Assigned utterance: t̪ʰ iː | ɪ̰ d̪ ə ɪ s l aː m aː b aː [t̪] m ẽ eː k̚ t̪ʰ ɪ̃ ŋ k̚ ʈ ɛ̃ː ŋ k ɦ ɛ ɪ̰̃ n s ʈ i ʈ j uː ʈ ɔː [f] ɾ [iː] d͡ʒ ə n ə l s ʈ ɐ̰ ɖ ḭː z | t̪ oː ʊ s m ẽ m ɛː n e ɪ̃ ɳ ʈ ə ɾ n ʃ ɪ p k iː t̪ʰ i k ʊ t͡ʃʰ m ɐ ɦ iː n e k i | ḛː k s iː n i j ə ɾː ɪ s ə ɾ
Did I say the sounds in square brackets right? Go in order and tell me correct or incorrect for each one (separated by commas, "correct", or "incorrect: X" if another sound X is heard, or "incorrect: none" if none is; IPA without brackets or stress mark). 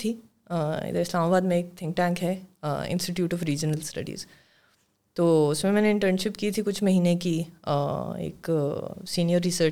incorrect: d̪, correct, correct